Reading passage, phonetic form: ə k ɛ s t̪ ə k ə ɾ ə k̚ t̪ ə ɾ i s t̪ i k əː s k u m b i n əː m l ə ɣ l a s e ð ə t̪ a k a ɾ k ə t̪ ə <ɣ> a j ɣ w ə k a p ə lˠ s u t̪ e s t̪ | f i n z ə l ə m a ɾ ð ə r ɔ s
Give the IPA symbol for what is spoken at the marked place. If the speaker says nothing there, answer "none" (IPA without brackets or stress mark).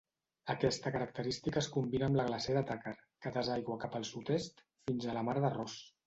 z